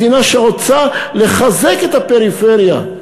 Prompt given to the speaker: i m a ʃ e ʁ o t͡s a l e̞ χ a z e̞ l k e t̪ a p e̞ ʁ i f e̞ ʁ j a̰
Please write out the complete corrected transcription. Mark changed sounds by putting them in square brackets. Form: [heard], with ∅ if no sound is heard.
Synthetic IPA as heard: i [n] a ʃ e ʁ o t͡s a l e̞ χ a z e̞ [∅] k e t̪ a p e̞ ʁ i f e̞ ʁ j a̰